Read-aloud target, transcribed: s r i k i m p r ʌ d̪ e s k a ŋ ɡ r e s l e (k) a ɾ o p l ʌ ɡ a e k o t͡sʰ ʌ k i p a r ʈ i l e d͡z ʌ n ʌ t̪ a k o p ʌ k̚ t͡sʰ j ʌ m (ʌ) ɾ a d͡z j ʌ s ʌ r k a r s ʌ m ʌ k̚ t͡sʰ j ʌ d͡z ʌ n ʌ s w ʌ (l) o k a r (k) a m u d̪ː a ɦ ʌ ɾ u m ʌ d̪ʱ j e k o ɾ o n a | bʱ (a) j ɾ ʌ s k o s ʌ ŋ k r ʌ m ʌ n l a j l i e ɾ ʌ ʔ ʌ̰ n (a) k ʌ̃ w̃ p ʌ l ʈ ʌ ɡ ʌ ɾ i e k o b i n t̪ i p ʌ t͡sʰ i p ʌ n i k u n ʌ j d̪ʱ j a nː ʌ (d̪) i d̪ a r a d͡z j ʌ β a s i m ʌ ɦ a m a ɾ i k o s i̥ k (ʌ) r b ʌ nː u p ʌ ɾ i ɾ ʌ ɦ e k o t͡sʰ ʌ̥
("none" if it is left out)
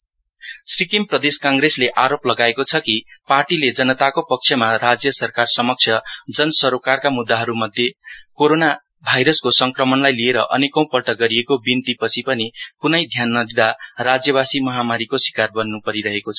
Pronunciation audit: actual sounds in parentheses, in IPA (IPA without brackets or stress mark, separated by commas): ʔ, a, ɾ, k, a, e, d̪, a